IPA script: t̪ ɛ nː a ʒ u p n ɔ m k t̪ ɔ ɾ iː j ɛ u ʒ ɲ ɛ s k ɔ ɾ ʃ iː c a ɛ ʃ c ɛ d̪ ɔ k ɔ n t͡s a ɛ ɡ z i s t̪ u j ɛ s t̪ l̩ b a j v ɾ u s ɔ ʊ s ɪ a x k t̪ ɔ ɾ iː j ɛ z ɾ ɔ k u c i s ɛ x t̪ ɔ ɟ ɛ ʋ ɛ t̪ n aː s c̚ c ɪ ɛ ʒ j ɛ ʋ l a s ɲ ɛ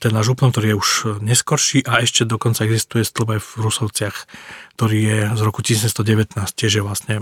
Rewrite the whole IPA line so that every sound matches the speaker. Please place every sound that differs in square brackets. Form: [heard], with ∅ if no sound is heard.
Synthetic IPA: t̪ ɛ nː a ʒ u p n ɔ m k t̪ ɔ ɾ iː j ɛ u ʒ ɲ ɛ s k ɔ ɾ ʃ iː [ʔ] a ɛ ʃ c ɛ d̪ ɔ k ɔ n t͡s a ɛ ɡ z i s t̪ u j ɛ s t̪ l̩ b a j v ɾ u s ɔ ʊ [t͡s] ɪ a x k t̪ ɔ ɾ iː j ɛ z ɾ ɔ k u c i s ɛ [s] t̪ ɔ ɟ ɛ ʋ ɛ t̪ n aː s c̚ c ɪ ɛ ʒ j ɛ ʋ l a s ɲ ɛ